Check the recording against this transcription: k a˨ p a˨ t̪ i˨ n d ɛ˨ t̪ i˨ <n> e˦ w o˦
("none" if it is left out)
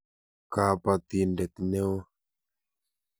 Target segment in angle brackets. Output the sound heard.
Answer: n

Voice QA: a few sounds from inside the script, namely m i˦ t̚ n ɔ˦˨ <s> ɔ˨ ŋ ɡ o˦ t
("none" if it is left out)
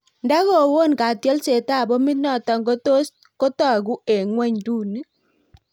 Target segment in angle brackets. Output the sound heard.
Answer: t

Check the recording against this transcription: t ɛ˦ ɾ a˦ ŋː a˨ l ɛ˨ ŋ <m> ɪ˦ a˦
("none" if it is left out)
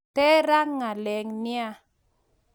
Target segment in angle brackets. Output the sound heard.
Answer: n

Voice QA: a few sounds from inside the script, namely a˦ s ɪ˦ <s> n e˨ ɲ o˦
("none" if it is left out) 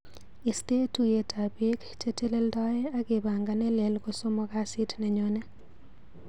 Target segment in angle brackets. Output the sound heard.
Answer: t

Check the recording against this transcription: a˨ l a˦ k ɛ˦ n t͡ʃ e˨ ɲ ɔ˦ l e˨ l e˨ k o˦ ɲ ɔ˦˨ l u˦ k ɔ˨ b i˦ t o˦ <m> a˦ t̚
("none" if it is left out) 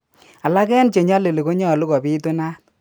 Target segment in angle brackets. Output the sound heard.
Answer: n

